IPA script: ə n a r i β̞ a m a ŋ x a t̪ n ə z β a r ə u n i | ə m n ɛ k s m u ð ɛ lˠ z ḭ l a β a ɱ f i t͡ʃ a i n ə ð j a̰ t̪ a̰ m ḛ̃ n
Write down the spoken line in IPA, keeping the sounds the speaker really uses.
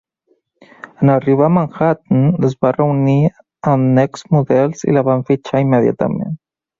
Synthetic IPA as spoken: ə n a r i β̞ a m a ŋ x a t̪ n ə z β a r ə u n i | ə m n ɛ k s m u ð ɛ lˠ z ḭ l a β a ɱ f i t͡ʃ a i m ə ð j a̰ t̪ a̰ m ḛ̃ n